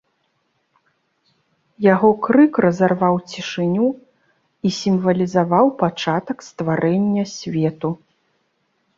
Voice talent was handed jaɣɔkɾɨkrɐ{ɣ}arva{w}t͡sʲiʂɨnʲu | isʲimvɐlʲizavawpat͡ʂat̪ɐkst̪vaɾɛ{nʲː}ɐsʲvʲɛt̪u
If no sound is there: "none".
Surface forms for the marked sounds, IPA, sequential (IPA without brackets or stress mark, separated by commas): z, w, nʲː